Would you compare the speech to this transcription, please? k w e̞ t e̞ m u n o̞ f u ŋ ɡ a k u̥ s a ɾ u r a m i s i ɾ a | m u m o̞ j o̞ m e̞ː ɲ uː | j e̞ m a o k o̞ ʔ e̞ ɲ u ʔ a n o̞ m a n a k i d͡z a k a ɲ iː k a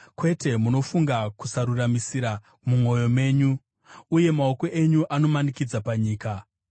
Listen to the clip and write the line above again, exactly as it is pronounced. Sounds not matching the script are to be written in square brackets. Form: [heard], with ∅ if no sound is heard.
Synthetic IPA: k w e̞ t e̞ m u n o̞ f u ŋ ɡ a k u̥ s a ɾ u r a m i s i ɾ a | m u m o̞ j o̞ m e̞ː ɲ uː | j e̞ m a o k o̞ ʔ e̞ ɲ u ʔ a n o̞ m a n [i] k i d͡z a [p] a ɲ iː k a